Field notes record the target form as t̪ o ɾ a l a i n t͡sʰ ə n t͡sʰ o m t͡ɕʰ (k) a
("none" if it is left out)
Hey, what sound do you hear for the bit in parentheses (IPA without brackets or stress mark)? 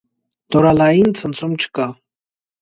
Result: k